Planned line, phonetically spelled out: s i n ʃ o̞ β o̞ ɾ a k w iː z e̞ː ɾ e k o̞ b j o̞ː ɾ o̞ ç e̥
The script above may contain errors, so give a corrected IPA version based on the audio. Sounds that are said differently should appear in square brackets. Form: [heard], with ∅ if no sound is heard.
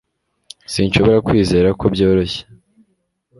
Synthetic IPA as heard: s i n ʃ o̞ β o̞ ɾ a k w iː z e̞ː ɾ [a] k o̞ b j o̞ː ɾ o̞ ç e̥